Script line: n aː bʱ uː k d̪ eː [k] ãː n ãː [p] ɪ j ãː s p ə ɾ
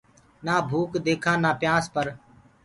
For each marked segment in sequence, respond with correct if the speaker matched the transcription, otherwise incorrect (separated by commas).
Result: incorrect, correct